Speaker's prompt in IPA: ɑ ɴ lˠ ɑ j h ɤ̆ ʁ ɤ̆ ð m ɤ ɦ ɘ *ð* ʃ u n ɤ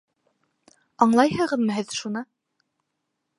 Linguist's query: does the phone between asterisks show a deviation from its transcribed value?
no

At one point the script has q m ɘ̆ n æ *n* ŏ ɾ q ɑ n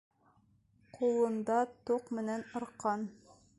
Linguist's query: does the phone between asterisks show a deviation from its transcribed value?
no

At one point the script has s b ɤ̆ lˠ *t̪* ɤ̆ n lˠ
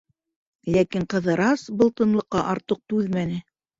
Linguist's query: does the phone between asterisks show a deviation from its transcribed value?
no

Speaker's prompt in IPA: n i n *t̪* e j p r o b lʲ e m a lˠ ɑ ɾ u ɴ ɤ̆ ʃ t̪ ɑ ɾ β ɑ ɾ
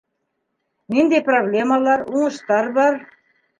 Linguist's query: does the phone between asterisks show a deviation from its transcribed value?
yes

